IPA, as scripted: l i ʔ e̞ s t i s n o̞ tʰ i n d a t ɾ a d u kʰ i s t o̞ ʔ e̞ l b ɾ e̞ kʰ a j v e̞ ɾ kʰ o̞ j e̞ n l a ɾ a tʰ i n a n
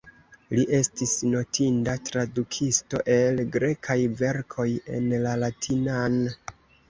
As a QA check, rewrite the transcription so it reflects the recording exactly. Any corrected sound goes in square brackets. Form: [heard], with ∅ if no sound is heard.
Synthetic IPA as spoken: l i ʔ e̞ s t i s n o̞ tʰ i n d a t ɾ a d u kʰ i s t o̞ ʔ e̞ l [ɡ] ɾ e̞ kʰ a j v e̞ ɾ kʰ o̞ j e̞ n l a [l] a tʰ i n a n

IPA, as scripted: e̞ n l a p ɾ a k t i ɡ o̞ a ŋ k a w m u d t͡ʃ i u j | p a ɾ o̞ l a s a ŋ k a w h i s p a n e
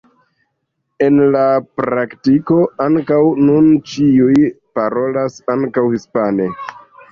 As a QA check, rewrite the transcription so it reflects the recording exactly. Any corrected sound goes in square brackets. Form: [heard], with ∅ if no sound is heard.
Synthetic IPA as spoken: e̞ n l a p ɾ a k t i [k] o̞ a ŋ k a w [n] u [n] t͡ʃ i u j | p a ɾ o̞ l a s a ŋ k a w h i s p a n e

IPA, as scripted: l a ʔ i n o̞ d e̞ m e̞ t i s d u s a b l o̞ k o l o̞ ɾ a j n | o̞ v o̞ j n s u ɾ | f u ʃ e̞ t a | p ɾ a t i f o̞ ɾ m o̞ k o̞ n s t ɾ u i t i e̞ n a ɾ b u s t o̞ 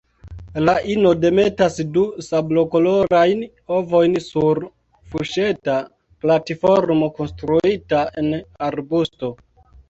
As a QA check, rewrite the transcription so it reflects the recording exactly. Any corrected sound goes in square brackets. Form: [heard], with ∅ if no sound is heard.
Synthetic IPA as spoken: l a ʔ i n o̞ d e̞ m e̞ t [a] s d u s a b l o̞ k o l o̞ ɾ a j n | o̞ v o̞ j n s u ɾ | f u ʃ e̞ t a | p [l] a t i f o̞ ɾ m o̞ k o̞ n s t ɾ u i t [a] e̞ n a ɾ b u s t o̞

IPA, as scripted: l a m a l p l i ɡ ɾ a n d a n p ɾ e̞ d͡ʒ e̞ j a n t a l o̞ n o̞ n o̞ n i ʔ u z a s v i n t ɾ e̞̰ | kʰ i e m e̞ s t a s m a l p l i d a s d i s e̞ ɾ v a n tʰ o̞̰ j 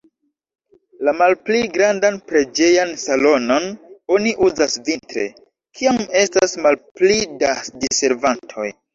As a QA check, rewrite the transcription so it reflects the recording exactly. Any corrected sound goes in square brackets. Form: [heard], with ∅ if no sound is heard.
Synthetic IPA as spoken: l a m a l p l i ɡ ɾ a n d a n p ɾ e̞ d͡ʒ e̞ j a n [s] a l o̞ n o̞ n o̞ n i ʔ u z a s v i n t ɾ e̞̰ | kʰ i [a] m e̞ s t a s m a l p l i d a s d i s e̞ ɾ v a n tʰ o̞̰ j

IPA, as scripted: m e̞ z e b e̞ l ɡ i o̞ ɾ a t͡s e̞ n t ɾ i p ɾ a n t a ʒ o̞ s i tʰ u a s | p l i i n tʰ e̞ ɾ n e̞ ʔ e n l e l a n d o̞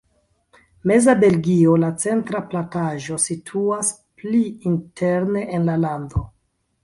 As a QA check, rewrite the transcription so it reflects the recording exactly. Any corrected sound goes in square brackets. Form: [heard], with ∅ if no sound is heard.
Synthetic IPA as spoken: m e̞ z [a] b e̞ l ɡ i o̞ [l] a t͡s e̞ n t ɾ [a] p [l] a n t a ʒ o̞ s i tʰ u a s | p l i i n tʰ e̞ ɾ n e̞ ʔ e n l [a] l a n d o̞

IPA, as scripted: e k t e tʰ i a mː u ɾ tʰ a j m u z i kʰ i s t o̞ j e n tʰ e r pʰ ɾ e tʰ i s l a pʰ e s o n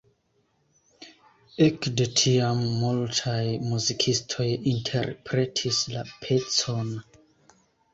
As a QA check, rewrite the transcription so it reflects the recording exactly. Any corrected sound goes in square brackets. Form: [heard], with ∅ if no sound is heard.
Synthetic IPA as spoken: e k [d] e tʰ i a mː u [l] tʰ a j m u z i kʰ i s [tʰ] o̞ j [i] n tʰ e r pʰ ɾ e tʰ i s l a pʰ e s o n

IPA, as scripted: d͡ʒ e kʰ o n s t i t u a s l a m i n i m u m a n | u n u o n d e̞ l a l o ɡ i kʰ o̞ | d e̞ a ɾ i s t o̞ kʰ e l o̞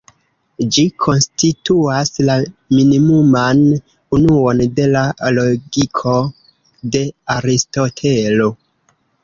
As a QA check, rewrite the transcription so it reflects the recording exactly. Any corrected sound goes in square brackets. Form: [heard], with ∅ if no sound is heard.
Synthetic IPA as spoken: d͡ʒ [i] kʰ o n s t i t u a s l a m i n i m u m a n | u n u o n d e̞ l a l o ɡ i kʰ o̞ | d e̞ a ɾ i s t o̞ [tʰ] e l o̞

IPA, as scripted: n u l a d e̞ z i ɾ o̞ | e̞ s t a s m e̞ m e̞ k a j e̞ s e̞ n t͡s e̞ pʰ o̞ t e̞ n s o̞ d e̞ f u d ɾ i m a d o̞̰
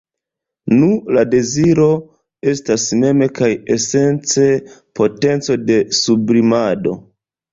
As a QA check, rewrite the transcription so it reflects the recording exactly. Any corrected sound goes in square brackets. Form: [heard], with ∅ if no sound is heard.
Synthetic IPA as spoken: n u l a d e̞ z i ɾ o̞ | e̞ s t a s m e̞ m e̞ k a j e̞ s e̞ n t͡s e̞ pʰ o̞ t e̞ n [t͡s] o̞ d e̞ [s] u [b] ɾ i m a d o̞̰

